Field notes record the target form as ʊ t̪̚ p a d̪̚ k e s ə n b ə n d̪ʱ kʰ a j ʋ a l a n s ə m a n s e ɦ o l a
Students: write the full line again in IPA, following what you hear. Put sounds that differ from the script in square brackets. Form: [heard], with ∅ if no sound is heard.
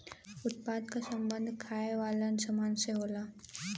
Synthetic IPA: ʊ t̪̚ p a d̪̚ k [a] s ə [m] b ə n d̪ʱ kʰ a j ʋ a l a n s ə m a n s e ɦ o l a